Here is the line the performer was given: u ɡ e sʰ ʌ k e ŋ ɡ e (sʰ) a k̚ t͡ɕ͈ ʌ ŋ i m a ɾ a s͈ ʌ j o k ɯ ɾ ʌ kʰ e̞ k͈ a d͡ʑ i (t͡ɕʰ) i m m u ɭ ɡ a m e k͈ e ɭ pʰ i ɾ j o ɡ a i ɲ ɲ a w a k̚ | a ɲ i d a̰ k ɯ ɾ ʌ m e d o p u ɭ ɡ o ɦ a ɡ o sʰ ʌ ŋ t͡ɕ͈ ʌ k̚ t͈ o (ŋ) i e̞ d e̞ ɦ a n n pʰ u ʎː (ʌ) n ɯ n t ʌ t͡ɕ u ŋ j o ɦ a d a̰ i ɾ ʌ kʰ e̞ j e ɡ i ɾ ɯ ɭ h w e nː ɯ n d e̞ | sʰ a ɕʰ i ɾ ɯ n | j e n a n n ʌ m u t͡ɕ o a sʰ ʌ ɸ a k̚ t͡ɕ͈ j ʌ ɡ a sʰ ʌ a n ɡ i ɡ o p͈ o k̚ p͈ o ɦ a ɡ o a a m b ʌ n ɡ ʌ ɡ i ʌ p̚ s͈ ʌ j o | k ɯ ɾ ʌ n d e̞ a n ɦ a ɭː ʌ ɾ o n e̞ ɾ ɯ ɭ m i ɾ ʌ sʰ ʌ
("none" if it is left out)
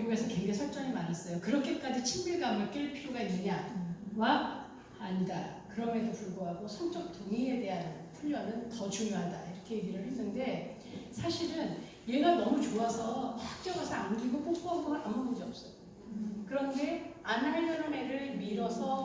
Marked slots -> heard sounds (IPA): sʰ, t͡ɕʰ, ŋ, ʌ

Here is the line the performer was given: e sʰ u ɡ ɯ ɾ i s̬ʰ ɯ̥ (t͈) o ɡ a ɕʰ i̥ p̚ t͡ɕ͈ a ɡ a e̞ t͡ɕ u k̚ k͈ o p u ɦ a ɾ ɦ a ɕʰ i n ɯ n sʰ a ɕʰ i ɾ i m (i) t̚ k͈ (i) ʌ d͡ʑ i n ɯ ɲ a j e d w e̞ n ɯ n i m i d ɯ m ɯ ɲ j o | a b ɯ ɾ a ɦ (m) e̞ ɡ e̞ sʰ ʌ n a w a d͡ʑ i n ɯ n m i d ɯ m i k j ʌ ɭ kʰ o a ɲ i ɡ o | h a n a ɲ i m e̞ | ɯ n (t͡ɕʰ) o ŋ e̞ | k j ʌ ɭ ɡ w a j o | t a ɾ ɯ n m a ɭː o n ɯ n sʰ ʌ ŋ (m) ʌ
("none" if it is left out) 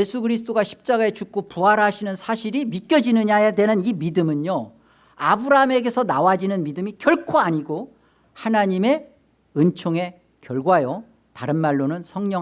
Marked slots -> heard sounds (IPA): t͈, i, j, m, t͡ɕʰ, ɲ

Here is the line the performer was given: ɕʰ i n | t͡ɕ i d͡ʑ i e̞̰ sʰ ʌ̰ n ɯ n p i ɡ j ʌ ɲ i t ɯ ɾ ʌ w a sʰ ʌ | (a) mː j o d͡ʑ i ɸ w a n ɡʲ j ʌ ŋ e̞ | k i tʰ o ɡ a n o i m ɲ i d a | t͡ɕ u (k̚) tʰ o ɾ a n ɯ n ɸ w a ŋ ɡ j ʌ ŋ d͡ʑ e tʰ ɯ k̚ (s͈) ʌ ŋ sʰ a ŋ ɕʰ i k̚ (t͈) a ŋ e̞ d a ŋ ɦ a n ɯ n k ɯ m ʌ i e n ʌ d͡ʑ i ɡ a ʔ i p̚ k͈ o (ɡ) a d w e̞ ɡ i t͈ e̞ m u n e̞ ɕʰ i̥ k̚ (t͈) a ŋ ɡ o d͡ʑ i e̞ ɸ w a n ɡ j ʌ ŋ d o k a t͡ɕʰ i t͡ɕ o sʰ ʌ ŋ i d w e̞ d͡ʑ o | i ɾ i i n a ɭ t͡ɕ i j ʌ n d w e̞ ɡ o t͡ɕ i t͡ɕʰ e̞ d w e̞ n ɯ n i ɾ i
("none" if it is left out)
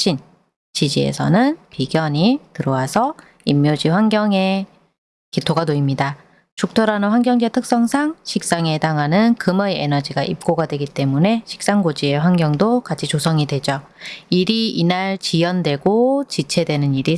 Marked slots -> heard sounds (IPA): i, k̚, s͈, s͈, ɡ, s͈

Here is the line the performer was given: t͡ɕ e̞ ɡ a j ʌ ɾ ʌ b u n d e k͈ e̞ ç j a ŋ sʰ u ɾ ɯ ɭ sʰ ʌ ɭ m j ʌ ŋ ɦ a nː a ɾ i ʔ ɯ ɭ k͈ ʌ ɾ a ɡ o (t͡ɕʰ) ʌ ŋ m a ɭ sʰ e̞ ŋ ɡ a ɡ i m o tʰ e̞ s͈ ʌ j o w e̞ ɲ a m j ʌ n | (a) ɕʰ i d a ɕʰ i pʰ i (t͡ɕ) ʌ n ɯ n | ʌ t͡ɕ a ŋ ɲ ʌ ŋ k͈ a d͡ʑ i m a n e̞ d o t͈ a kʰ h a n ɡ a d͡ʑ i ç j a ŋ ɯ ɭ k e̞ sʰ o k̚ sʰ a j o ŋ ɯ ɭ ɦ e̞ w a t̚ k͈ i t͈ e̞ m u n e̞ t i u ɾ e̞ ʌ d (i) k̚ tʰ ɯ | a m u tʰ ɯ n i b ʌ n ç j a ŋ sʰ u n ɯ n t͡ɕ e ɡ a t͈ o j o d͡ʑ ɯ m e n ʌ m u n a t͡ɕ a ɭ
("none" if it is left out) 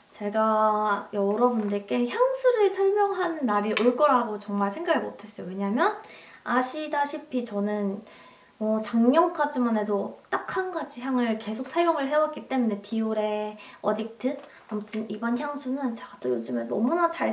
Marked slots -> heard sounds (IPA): t͡ɕ, a, t͡ɕ, i

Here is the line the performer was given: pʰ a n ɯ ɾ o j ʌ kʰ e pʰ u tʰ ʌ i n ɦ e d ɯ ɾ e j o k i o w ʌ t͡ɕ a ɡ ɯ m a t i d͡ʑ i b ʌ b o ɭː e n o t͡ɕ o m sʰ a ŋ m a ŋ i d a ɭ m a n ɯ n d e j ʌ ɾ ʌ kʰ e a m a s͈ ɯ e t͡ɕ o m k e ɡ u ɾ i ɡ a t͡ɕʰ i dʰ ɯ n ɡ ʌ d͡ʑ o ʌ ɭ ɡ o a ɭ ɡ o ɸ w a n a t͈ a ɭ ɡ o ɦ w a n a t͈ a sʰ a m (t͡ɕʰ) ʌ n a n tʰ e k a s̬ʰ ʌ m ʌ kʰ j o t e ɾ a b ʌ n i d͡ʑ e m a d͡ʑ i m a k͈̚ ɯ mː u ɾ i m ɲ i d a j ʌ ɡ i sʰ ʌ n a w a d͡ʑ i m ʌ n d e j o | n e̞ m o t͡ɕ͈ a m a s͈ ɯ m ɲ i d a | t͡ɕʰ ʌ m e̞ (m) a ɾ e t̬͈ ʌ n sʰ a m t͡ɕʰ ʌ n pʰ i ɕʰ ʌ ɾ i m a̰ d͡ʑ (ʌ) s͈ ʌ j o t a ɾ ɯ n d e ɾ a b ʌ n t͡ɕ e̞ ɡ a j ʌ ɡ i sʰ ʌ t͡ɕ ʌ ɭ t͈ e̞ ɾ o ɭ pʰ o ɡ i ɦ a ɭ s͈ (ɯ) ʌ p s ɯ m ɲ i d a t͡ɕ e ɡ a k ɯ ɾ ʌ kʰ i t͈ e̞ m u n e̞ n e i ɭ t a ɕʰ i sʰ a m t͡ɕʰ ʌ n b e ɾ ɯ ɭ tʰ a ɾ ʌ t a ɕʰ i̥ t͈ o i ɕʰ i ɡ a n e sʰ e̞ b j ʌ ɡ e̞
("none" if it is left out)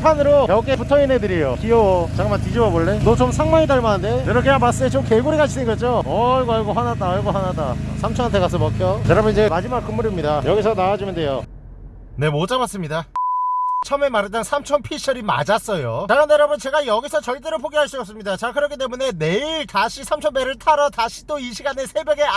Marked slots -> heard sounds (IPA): t͡ɕʰ, m, a, u

